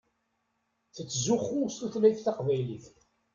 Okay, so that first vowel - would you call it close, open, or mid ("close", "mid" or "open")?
mid